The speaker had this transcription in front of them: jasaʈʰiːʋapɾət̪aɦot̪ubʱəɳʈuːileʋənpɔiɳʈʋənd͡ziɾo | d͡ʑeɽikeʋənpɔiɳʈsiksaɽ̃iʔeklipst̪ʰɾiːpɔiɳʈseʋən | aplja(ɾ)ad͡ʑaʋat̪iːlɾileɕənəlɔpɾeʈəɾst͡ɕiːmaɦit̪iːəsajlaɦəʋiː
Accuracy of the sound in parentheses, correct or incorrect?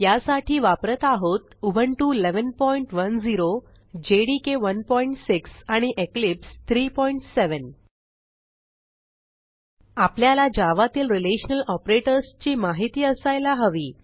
incorrect